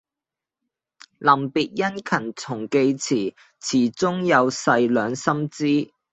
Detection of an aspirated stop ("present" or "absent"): present